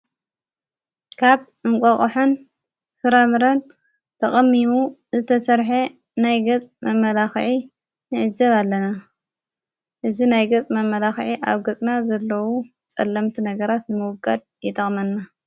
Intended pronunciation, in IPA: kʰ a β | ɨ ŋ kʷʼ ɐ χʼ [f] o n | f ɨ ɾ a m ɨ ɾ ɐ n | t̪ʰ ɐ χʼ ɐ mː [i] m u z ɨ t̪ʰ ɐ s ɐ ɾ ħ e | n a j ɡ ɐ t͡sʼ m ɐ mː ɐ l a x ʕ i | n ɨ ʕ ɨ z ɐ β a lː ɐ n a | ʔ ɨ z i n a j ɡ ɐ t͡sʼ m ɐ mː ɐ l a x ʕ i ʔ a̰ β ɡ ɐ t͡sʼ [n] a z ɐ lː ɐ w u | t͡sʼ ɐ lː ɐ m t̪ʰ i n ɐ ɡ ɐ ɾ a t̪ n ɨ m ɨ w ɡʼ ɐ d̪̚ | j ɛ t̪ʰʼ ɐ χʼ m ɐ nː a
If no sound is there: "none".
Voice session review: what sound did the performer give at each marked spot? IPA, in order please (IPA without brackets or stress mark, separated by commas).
ħ, i, n